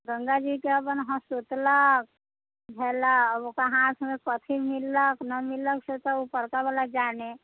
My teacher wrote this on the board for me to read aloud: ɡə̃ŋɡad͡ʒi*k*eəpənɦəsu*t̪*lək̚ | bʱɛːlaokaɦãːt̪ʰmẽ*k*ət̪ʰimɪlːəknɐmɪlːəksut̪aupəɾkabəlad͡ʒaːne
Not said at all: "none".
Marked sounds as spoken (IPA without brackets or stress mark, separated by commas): k, t̪, k